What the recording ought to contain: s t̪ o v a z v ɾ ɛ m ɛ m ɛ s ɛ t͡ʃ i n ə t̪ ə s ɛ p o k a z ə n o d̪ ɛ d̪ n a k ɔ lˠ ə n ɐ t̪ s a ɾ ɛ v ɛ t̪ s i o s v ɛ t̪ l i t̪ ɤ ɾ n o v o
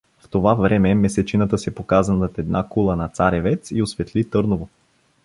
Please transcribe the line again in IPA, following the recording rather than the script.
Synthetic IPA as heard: f t̪ o v a v ɾ ɛ m ɛ m ɛ s ɛ t͡ʃ i n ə t̪ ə s ɛ p o k a z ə n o t̪ ɛ d̪ n a k u lˠ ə n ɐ t̪ s a ɾ ɛ v ɛ t̪ s i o s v ɛ t̪ l i t̪ ɤ ɾ n o v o